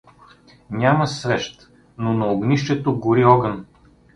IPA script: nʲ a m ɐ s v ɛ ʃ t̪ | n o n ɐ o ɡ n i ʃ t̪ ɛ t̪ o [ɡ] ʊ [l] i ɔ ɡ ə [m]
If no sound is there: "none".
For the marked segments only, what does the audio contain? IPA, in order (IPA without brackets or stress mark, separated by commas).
ɡ, ɾ, n